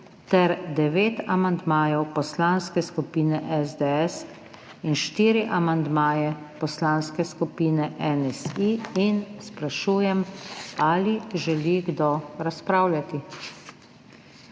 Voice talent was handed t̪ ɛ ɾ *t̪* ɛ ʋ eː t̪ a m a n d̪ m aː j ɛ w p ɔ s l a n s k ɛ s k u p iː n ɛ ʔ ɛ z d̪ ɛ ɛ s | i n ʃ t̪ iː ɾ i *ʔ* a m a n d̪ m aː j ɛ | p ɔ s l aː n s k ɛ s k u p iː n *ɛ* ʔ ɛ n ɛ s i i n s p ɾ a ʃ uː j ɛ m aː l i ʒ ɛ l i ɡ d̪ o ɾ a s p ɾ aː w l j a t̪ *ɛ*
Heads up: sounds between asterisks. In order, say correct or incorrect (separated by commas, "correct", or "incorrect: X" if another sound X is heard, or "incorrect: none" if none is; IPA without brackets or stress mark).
incorrect: d̪, correct, correct, incorrect: i